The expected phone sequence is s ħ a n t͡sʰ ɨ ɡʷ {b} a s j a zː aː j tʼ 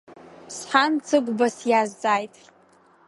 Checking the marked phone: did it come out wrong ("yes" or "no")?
no